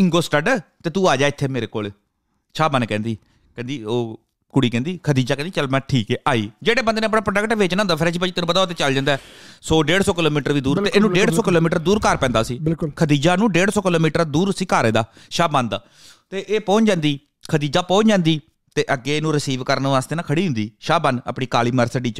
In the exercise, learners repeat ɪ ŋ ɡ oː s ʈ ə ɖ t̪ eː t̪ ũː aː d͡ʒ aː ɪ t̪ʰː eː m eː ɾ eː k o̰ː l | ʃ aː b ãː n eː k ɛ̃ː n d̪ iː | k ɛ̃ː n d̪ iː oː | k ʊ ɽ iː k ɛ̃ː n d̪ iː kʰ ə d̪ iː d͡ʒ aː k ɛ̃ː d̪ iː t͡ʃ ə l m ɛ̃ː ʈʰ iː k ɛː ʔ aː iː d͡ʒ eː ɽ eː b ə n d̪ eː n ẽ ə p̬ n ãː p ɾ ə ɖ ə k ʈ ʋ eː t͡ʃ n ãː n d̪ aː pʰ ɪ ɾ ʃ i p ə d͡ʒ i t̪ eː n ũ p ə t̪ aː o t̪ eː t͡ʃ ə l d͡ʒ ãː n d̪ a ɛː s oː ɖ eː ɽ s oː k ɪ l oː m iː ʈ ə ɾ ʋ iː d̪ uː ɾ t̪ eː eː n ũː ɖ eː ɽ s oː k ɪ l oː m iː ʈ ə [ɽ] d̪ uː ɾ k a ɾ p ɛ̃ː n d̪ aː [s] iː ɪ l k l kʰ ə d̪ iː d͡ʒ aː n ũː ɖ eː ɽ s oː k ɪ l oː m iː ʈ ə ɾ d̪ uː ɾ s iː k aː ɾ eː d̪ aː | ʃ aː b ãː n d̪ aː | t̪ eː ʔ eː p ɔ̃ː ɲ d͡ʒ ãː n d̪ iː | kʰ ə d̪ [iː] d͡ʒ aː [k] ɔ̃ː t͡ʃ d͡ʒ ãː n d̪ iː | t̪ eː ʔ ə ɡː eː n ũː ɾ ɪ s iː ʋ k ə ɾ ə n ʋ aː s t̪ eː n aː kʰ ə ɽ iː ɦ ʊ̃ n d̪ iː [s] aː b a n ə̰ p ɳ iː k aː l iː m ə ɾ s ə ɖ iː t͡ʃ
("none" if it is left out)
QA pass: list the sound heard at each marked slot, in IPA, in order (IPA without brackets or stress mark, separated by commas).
ɾ, s, iː, p, ʃ